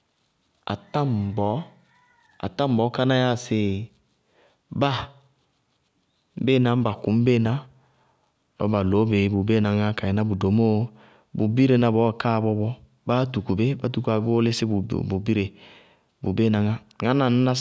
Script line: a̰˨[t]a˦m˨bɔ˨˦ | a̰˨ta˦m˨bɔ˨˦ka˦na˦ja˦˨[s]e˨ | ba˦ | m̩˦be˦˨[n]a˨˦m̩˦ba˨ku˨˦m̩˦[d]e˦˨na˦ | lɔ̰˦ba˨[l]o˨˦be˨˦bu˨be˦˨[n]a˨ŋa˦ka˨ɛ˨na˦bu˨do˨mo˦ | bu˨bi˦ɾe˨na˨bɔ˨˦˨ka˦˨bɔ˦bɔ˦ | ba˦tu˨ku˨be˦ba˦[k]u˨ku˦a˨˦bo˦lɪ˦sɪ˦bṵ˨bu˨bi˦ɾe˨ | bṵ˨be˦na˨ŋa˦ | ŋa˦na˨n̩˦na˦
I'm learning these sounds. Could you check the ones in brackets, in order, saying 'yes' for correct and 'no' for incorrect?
yes, yes, yes, no, yes, yes, no

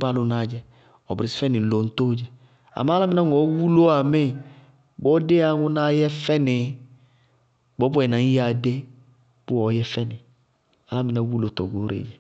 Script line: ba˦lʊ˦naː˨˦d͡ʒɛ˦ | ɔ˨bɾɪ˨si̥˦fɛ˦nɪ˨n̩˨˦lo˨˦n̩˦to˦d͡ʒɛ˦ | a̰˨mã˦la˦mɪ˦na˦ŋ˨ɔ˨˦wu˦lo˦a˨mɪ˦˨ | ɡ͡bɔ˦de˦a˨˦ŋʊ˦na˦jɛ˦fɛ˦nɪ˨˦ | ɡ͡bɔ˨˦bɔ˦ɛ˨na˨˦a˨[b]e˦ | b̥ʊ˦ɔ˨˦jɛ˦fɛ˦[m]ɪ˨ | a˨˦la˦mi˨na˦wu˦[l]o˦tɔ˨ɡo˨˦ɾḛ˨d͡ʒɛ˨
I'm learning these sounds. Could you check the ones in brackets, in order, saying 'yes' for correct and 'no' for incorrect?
no, no, yes

